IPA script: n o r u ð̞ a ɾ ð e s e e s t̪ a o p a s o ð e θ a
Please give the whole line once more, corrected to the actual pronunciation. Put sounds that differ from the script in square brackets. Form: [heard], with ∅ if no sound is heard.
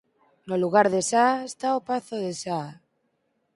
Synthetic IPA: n o [l] u [ɣ̞] a ɾ ð e s [a] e s t̪ a o p a [θ] o ð e [s] a